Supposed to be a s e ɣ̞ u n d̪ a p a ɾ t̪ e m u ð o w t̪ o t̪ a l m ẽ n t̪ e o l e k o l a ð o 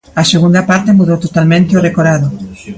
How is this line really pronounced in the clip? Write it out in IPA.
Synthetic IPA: a s e ɣ̞ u n d̪ a p a ɾ t̪ e m u ð o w t̪ o t̪ a l m ẽ n t̪ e o r e k o ɾ a ð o

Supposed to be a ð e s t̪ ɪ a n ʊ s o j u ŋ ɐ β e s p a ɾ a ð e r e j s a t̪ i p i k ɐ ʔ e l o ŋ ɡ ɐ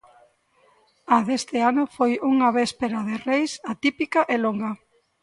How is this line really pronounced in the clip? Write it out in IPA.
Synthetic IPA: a ð e s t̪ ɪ a n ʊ f o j u ŋ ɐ β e s p e ɾ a ð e r e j s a t̪ i p i k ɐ ʔ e l o ŋ ɡ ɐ

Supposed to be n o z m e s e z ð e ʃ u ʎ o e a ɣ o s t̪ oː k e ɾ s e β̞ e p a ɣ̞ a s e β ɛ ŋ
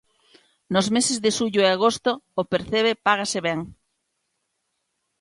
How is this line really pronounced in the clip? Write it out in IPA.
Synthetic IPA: n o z m e s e z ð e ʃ u ʎ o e a ɣ o s t̪ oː p e ɾ θ e β̞ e p a ɣ̞ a s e β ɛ ŋ

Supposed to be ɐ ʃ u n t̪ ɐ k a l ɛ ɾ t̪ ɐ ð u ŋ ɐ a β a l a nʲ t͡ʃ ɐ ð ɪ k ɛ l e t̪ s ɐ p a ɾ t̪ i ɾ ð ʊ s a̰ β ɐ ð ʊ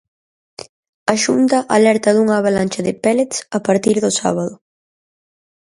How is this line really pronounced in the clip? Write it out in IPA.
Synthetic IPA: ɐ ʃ u n t̪ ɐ ʔ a l ɛ ɾ t̪ ɐ ð u ŋ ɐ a β a l a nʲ t͡ʃ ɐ ð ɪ p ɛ l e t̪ s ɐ p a ɾ t̪ i ɾ ð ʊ s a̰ β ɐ ð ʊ

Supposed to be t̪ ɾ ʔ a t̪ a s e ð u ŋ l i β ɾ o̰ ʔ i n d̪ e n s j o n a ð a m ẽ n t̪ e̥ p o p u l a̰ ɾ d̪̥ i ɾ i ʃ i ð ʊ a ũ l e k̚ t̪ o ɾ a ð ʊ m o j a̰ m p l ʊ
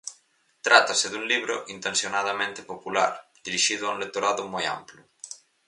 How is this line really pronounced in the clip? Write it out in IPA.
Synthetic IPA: t̪ ɾ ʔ a t̪ a s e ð u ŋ l i β ɾ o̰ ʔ i n t̪ e n s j o n a ð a m ẽ n t̪ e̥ p o p u l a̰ ɾ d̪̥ i ɾ i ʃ i ð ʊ a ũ l e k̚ t̪ o ɾ a ð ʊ m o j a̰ m p l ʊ

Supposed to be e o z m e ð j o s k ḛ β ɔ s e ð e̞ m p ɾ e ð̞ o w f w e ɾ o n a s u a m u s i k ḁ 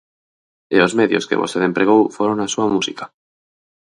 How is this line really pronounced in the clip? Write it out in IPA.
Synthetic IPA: e o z m e ð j o s k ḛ β o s e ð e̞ m p ɾ e ɣ̞ o w f w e ɾ o n a s u a m u s i k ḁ

